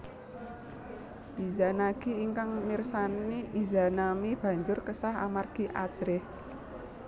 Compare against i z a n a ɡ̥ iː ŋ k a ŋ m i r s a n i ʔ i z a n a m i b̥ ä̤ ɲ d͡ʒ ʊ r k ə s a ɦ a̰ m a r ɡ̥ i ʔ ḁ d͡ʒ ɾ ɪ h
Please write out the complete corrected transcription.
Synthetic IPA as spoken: i z a n a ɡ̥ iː ŋ k a ŋ m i r s a n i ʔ i z a n a m i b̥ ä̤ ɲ d͡ʒ ʊ r k ə s a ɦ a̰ m a r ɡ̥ i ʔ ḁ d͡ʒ ɾ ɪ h